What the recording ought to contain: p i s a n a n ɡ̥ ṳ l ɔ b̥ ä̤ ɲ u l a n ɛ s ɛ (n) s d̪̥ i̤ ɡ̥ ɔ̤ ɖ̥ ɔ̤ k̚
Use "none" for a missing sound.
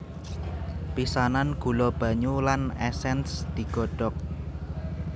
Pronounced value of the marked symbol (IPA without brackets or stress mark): n